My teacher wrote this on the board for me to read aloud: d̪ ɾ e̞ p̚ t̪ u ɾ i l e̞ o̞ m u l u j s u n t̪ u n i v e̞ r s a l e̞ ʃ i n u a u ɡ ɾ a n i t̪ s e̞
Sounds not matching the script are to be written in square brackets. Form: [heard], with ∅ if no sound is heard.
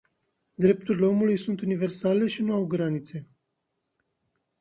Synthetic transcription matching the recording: d̪ ɾ e̞ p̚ t̪ u ɾ i l e̞ o̞ m u l u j s u n t̪ u n i v e̞ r s a l e̞ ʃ i n u a [w] ɡ ɾ a n i t̪ s e̞